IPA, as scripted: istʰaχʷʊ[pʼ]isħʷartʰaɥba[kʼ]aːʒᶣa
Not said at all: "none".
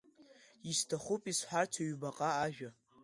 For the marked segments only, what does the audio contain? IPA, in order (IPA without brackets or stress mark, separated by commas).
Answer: pʼ, qʼ